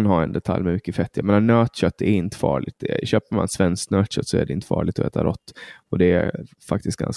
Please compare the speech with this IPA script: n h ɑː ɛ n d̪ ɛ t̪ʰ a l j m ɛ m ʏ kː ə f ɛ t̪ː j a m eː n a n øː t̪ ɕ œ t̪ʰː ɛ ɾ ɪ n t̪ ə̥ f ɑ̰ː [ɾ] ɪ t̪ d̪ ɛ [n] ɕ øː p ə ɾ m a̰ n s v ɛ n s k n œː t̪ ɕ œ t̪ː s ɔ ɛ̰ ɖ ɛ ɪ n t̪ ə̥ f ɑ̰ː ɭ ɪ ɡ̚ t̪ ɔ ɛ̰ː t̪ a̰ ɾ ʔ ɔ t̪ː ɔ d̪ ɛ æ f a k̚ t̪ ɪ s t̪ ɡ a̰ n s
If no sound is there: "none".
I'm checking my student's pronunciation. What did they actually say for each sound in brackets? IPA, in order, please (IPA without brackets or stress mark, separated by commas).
ɭ, none